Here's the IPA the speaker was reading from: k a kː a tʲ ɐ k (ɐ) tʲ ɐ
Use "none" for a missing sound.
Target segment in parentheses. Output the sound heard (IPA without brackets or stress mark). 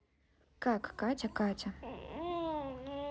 a